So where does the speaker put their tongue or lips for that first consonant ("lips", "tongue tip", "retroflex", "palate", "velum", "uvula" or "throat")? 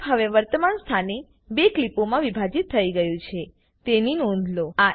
throat